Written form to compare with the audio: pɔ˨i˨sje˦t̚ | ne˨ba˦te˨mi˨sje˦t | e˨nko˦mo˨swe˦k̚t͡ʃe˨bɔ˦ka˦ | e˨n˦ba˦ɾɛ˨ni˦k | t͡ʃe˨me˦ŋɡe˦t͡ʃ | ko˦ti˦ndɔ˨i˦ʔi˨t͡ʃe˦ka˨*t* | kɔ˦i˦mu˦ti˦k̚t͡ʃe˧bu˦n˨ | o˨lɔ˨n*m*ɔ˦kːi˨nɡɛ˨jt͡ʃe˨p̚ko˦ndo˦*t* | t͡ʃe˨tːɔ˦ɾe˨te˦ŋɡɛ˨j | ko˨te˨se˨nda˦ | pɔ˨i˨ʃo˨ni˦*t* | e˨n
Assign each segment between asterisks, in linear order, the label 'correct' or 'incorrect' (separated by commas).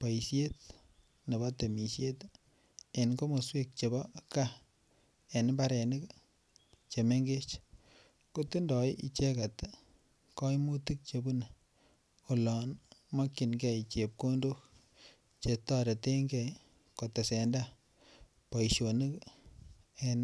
correct, correct, incorrect, incorrect